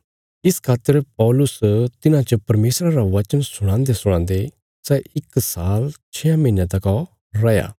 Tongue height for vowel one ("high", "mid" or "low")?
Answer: high